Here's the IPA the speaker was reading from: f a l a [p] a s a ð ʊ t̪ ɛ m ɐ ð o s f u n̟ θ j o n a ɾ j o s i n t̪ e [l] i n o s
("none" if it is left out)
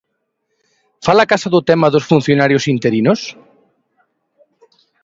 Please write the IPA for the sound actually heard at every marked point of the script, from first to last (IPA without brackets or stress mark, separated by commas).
k, ɾ